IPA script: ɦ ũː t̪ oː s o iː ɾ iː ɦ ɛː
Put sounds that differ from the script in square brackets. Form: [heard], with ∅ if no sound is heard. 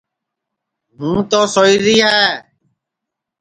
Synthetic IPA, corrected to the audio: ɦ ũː t̪ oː s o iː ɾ iː ɦ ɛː